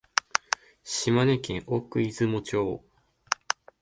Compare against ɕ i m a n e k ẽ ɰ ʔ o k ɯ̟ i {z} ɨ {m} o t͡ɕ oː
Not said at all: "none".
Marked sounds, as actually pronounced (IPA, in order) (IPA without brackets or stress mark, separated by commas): z, m